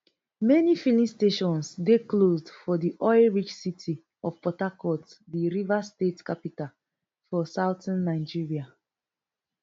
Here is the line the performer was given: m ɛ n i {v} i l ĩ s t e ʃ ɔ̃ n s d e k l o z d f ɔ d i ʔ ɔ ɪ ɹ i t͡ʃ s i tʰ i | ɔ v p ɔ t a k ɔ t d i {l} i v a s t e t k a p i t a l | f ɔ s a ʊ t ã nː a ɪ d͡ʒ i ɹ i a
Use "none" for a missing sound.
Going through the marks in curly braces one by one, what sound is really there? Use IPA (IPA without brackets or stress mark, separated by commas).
f, ɹ